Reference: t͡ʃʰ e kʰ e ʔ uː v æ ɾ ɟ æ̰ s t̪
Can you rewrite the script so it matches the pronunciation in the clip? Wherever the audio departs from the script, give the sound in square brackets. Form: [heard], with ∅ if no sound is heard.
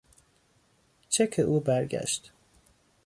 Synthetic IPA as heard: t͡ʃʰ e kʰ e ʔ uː [b] æ ɾ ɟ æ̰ [ʃ] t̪